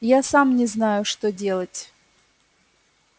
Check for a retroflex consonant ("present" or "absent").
present